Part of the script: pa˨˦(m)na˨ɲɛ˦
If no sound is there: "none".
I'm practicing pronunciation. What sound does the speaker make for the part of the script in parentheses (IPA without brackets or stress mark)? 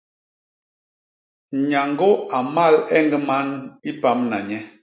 m